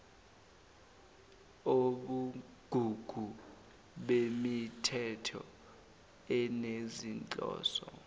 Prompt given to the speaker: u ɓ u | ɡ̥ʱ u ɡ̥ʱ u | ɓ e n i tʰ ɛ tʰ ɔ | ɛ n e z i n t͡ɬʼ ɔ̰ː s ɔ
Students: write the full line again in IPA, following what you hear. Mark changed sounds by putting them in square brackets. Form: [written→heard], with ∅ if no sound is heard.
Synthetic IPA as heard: [u→o] ɓ u | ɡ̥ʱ u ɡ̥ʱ u | ɓ e [n→m] i tʰ ɛ tʰ ɔ | ɛ n e z i n t͡ɬʼ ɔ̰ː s ɔ